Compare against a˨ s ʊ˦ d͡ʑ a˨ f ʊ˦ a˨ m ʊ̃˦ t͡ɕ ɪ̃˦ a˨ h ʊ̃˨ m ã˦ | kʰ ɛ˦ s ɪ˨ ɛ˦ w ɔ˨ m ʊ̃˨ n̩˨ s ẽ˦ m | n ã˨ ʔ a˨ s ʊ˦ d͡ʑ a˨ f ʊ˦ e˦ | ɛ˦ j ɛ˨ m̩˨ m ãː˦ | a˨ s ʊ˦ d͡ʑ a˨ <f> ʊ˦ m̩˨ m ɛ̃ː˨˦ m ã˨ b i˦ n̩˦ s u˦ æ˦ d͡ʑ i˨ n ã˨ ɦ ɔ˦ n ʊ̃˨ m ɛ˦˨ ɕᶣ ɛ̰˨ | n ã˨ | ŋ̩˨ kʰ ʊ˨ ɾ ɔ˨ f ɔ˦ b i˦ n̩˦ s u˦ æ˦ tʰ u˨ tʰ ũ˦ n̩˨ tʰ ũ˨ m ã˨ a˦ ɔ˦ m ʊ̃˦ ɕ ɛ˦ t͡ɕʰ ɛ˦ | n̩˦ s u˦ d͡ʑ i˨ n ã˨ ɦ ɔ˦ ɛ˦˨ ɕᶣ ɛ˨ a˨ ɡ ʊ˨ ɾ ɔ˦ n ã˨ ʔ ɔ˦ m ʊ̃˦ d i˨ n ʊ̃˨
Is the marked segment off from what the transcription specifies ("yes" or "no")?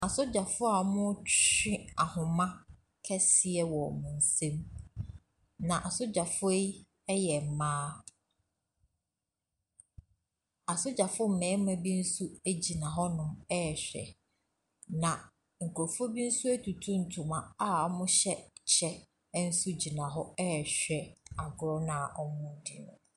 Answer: no